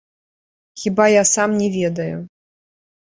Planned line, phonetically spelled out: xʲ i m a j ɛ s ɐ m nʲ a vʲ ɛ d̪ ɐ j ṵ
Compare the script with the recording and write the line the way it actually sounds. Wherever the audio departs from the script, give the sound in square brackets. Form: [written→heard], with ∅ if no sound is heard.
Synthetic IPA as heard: xʲ i [m→b] a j [ɛ→a] s [ɐ→a] m nʲ [a→ɛ] vʲ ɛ d̪ ɐ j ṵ